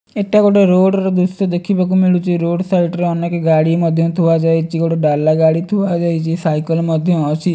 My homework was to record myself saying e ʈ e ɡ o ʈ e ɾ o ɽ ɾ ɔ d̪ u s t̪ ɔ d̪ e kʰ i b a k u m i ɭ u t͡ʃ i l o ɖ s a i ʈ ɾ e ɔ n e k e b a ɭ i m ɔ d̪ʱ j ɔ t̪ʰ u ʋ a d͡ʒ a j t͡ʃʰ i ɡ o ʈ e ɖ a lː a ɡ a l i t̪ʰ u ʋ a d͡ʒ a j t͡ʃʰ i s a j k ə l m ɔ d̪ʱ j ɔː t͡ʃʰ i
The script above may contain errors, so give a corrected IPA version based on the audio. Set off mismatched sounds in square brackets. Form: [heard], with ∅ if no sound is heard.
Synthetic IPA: e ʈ [a] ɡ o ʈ e ɾ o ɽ ɾ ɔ d̪ u s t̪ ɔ d̪ e kʰ i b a k u m i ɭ u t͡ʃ i [ɾ] o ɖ s a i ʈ ɾ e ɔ n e k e [ɡ] a [ɽ] i m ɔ d̪ʱ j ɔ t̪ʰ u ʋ a d͡ʒ a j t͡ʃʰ i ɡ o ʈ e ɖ a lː a ɡ a [ɽ] i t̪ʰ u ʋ a d͡ʒ a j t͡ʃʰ i s a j k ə l m ɔ d̪ʱ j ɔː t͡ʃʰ i

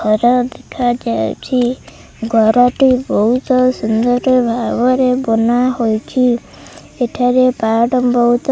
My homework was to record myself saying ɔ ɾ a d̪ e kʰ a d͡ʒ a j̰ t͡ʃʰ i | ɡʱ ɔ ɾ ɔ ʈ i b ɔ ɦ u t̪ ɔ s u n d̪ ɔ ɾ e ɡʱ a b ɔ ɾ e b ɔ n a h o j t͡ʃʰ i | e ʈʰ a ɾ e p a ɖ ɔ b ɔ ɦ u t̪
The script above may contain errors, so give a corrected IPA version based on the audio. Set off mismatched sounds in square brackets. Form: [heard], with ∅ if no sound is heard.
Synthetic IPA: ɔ ɾ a d̪ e kʰ a d͡ʒ a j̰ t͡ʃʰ i | ɡʱ ɔ ɾ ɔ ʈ i b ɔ ɦ u t̪ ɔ s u n d̪ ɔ ɾ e [bʱ] a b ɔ ɾ e b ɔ n a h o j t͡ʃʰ i | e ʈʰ a ɾ e p a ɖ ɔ b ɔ ɦ u t̪

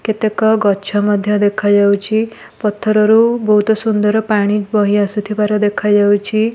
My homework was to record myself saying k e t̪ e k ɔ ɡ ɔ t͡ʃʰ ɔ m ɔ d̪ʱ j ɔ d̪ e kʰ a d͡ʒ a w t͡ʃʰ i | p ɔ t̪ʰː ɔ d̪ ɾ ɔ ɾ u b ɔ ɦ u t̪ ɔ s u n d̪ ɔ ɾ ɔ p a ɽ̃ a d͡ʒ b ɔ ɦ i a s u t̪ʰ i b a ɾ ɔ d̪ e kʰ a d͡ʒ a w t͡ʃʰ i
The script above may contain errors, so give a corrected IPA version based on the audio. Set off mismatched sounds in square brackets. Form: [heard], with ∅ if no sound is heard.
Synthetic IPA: k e t̪ e k ɔ ɡ ɔ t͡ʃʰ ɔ m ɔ d̪ʱ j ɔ d̪ e kʰ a d͡ʒ a w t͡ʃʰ i | p ɔ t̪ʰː ɔ [∅] ɾ ɔ ɾ u b ɔ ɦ u t̪ ɔ s u n d̪ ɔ ɾ ɔ p a ɽ̃ [i] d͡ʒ b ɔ ɦ i a s u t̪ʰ i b a ɾ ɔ d̪ e kʰ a d͡ʒ a w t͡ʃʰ i

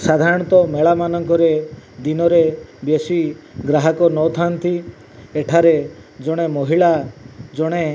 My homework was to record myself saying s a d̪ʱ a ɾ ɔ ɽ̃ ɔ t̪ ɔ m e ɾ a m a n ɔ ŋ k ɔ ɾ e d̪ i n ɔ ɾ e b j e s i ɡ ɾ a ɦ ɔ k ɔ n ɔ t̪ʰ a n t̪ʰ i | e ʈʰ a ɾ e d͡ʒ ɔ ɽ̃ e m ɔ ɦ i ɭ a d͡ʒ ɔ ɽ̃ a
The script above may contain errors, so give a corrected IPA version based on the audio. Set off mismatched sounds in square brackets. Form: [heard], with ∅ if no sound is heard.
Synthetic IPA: s a d̪ʱ a ɾ ɔ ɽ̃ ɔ t̪ ɔ m e [ɭ] a m a n ɔ ŋ k ɔ ɾ e d̪ i n ɔ ɾ e b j e s i ɡ ɾ a ɦ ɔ k ɔ n ɔ t̪ʰ a n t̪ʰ i | e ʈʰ a ɾ e d͡ʒ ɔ ɽ̃ e m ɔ ɦ i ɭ a d͡ʒ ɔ ɽ̃ [e]

